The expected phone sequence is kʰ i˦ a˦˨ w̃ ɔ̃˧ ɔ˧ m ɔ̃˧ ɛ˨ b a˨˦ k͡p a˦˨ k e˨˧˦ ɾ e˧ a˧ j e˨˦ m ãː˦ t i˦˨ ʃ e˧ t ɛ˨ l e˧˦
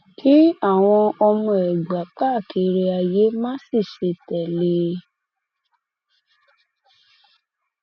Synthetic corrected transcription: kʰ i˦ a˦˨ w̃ ɔ̃˧ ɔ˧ m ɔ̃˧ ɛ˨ ɡ͡b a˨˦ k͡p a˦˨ k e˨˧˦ ɾ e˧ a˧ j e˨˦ m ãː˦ s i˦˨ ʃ e˧ t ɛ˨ l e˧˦